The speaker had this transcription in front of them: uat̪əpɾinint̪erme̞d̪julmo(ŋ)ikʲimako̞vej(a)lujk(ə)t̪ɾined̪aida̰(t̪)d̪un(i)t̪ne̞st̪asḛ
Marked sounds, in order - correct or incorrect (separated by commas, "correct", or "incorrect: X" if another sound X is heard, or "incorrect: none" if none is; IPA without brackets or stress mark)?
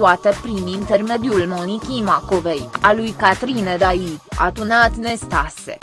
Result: incorrect: n, correct, incorrect: a, incorrect: none, incorrect: a